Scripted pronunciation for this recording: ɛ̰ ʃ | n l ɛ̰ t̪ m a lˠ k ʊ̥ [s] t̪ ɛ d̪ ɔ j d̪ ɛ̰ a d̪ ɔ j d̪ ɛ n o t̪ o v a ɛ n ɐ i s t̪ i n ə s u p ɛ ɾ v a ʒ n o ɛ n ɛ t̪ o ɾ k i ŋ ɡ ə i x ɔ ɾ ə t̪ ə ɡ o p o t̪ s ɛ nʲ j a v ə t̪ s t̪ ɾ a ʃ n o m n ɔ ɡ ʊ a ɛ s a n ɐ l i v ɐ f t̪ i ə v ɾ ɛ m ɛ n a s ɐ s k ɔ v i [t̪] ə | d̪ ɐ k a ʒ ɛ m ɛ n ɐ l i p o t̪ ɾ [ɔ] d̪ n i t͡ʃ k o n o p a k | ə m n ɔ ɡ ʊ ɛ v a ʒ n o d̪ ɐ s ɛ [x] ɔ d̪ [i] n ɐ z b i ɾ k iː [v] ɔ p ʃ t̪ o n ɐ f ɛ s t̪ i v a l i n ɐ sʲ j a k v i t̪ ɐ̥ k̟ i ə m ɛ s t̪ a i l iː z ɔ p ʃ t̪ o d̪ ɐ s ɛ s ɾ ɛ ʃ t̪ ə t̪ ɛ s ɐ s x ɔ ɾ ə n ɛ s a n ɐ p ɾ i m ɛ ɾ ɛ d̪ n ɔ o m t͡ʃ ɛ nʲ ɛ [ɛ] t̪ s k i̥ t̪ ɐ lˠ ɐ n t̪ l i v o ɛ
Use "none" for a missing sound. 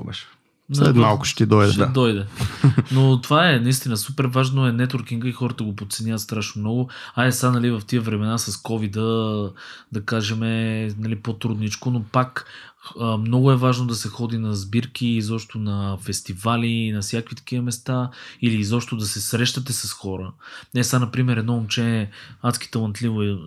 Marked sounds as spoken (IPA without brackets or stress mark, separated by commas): ʃ, d̪, u, x, i, z, a